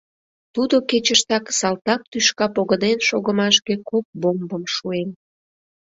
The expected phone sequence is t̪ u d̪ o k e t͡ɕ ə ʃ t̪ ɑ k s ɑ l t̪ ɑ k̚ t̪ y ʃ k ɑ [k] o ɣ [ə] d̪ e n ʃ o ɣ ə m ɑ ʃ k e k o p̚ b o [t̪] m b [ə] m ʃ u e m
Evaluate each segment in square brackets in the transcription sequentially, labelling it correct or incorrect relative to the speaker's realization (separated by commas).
incorrect, correct, incorrect, correct